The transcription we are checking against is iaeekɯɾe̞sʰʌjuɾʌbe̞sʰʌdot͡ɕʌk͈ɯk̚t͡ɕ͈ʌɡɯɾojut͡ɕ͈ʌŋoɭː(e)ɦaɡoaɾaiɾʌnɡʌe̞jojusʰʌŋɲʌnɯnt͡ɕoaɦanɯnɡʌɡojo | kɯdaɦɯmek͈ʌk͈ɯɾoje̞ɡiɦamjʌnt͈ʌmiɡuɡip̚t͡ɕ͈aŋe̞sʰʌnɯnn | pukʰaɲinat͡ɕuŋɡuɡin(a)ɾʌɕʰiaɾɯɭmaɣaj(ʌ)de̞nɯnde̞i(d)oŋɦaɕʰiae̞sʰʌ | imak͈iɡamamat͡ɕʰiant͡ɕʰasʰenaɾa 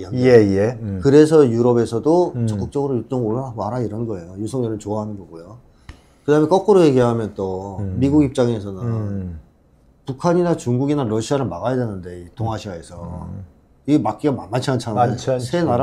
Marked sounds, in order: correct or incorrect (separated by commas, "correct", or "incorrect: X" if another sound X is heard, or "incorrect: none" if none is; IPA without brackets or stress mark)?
incorrect: a, correct, incorrect: a, incorrect: t